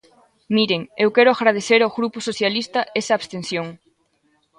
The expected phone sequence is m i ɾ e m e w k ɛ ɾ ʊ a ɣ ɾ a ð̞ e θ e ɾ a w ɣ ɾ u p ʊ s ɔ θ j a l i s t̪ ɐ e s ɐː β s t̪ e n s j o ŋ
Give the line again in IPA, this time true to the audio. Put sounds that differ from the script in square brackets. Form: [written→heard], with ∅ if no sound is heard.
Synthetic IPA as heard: m i ɾ e [m→ŋ] e w k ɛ ɾ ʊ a ɣ ɾ a ð̞ e θ e ɾ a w ɣ ɾ u p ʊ s [ɔ→o] θ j a l i s t̪ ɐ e s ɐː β s t̪ e n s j o ŋ